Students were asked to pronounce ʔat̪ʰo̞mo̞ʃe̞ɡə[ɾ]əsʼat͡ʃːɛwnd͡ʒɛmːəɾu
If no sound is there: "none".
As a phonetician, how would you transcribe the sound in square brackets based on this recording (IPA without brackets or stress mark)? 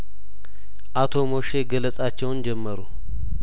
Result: l